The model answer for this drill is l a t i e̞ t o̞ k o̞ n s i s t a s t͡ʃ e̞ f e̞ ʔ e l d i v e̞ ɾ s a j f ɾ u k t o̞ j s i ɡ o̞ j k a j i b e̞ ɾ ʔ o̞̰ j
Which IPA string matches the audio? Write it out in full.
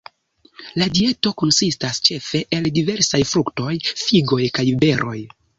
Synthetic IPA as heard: l a d i e̞ t o̞ k o̞ n s i s t a s t͡ʃ e̞ f e̞ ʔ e l d i v e̞ ɾ s a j f ɾ u k t o̞ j f i ɡ o̞ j k a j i b e̞ ɾ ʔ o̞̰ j